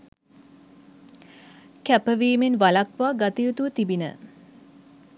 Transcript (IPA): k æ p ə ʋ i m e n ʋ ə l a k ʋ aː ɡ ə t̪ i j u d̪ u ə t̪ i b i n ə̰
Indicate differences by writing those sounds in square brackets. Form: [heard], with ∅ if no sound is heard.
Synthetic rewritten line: k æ p ə ʋ [iː] m e n ʋ [a] l a k ʋ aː ɡ [a] t̪ i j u [t̪] u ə t̪ i b i n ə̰